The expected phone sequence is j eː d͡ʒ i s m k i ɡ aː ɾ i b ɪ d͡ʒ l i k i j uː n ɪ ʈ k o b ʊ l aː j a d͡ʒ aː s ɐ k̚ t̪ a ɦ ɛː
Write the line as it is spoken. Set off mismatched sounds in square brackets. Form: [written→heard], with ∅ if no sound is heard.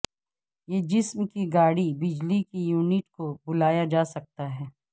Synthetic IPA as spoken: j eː d͡ʒ [i→ɪ] s m k i ɡ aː [ɾ→ɽ] i b ɪ d͡ʒ l i k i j uː n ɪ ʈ k o b ʊ l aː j a d͡ʒ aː s ɐ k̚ t̪ a ɦ ɛː